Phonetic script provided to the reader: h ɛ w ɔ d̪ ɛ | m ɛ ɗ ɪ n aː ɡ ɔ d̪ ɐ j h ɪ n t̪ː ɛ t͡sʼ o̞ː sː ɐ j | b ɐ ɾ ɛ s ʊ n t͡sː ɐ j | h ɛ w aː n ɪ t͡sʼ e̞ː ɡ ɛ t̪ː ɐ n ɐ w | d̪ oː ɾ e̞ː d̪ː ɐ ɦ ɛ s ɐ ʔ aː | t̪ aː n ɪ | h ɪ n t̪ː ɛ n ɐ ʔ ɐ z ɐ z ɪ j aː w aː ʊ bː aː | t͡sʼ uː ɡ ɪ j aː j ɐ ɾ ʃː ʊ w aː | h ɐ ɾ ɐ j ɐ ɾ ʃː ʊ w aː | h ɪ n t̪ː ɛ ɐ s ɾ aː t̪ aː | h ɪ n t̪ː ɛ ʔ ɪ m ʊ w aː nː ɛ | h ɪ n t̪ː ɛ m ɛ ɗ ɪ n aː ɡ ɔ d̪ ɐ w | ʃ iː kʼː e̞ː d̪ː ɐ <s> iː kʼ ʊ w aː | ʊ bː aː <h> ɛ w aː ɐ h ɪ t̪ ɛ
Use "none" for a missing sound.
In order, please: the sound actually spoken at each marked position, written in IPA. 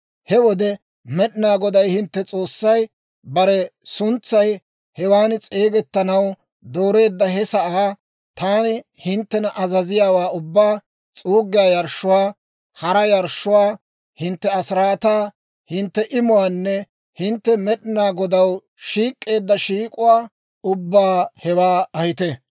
ʃ, h

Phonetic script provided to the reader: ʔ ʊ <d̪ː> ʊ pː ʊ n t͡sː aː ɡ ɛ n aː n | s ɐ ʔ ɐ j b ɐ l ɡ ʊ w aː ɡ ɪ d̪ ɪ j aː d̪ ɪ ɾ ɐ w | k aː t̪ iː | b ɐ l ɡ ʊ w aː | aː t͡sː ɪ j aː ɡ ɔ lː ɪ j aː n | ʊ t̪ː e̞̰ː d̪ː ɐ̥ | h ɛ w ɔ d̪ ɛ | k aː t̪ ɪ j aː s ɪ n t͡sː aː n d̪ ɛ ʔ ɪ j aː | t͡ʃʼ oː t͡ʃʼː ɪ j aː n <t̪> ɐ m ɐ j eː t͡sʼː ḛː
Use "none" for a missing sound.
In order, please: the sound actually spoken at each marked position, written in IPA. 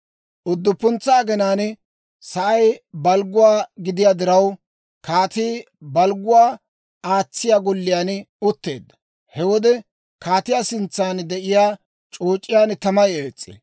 d̪ː, t̪

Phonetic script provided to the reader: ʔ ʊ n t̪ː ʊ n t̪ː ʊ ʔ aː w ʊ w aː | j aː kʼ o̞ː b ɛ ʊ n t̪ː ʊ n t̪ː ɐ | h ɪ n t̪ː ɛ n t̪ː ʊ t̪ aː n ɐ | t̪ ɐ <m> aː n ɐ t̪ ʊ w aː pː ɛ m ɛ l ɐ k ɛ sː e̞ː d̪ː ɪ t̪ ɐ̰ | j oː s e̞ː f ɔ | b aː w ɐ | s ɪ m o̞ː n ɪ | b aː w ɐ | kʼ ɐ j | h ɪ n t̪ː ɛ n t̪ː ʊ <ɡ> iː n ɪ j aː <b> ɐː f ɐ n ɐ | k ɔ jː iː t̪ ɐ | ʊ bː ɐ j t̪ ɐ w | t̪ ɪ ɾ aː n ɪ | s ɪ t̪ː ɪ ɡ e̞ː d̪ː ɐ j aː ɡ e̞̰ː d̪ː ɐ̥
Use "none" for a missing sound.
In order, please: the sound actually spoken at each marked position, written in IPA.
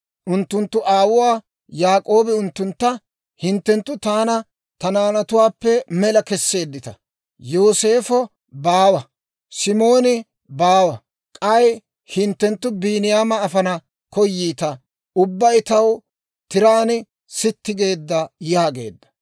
n, b, m

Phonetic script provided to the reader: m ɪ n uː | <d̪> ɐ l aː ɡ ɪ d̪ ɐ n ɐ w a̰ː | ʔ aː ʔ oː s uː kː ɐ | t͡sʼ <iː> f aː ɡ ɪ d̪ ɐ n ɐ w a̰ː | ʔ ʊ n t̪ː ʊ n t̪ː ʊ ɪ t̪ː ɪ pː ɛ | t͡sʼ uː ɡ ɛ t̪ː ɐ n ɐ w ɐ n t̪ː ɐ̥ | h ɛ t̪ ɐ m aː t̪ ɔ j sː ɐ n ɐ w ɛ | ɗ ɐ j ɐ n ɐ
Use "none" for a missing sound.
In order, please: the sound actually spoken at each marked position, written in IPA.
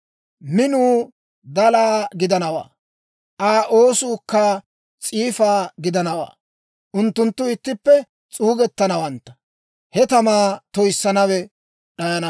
d̪, iː

